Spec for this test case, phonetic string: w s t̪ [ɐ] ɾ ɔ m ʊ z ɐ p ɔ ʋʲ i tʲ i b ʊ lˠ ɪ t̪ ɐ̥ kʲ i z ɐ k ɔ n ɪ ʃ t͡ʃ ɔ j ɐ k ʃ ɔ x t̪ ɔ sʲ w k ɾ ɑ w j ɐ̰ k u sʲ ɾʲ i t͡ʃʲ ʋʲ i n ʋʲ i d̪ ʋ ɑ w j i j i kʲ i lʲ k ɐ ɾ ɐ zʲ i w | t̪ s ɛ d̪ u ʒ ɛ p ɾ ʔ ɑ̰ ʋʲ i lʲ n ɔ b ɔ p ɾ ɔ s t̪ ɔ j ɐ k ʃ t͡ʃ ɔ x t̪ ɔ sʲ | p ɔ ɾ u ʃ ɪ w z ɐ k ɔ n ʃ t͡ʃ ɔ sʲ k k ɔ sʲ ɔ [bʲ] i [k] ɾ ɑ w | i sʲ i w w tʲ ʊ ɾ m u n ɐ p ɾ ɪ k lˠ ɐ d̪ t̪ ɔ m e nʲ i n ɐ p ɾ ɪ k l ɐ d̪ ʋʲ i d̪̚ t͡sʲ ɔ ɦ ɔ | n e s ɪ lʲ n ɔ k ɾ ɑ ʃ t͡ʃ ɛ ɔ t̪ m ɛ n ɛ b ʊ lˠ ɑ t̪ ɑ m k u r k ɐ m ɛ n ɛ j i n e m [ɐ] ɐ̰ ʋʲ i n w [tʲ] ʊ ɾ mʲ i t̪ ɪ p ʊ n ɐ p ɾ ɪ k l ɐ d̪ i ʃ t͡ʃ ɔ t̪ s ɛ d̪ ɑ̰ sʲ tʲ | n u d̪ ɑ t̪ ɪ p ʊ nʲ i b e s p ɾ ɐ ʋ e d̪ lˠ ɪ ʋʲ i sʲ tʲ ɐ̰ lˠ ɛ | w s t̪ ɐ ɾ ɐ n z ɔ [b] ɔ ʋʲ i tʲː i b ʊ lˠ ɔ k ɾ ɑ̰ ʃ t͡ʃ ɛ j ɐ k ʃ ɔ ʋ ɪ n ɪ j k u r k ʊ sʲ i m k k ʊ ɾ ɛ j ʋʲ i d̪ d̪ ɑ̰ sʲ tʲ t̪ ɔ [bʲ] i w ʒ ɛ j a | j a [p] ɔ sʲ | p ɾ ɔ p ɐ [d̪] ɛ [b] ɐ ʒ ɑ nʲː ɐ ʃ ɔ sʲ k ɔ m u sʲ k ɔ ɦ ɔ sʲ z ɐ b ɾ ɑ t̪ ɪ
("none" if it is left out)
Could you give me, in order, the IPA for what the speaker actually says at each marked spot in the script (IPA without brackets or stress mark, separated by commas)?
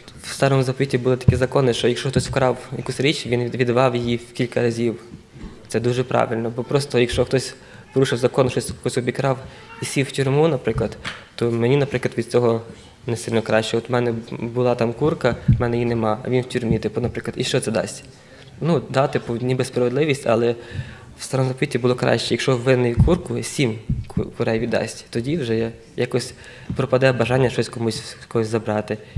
ɑ, bʲ, k, ɑ, tʲ, p, dʲ, k, d̪, b